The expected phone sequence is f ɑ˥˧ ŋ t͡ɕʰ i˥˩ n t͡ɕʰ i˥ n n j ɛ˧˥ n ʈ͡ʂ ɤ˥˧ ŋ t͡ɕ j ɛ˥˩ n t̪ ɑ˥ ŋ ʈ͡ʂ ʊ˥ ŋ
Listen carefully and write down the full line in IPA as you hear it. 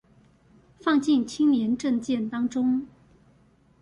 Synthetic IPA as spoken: f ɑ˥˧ ŋ t͡ɕ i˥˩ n t͡ɕʰ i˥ ŋ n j ɛ˧˥ n ʈ͡ʂ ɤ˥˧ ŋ t͡ɕ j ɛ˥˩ n t̪ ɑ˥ ŋ ʈ͡ʂ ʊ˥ ŋ